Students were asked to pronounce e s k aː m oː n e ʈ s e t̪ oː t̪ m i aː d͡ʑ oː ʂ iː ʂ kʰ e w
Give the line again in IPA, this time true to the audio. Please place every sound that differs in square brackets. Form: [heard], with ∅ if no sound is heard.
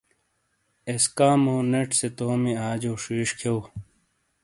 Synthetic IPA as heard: e s k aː m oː n e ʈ s e t̪ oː [∅] m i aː d͡ʑ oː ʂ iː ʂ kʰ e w